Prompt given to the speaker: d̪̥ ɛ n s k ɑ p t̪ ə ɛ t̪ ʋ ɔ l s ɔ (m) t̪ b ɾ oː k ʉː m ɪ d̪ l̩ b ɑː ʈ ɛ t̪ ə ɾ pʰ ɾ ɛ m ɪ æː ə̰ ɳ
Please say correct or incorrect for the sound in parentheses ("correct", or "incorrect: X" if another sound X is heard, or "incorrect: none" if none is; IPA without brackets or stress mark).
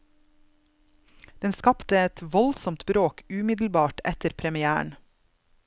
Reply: correct